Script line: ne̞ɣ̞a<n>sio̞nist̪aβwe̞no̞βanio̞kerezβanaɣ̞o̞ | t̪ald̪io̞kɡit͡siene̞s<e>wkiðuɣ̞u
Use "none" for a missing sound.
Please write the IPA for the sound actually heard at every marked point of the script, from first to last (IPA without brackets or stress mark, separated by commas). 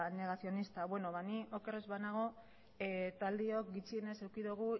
none, e